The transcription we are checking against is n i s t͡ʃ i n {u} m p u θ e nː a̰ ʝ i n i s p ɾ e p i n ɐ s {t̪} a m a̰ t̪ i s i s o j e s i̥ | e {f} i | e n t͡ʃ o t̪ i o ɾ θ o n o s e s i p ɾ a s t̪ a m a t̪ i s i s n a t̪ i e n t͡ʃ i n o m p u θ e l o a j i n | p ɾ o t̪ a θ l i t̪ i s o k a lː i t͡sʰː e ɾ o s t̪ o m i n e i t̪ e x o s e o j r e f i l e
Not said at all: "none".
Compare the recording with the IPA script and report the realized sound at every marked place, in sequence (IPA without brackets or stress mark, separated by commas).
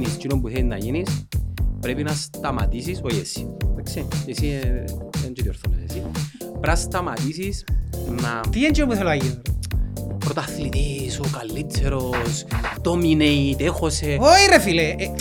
o, t̪, s